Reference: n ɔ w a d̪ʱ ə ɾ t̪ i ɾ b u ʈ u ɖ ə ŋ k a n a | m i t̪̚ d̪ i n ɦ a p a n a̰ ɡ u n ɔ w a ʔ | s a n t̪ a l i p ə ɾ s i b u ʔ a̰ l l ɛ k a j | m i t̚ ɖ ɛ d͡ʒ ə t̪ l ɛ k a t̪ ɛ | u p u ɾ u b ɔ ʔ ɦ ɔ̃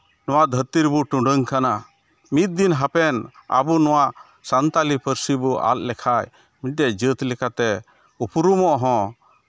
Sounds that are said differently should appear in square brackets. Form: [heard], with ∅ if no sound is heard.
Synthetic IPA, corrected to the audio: n ɔ w a d̪ʱ ə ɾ t̪ i ɾ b u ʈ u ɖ ə ŋ k a n a | m i t̪̚ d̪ i n ɦ a p [ɛ] n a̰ [b] u n ɔ w a ʔ | s a n t̪ a l i p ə ɾ s i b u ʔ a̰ l l ɛ [kʰ] a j | m i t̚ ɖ ɛ d͡ʒ ə t̪ l ɛ k a t̪ ɛ | u p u ɾ u [m] ɔ ʔ ɦ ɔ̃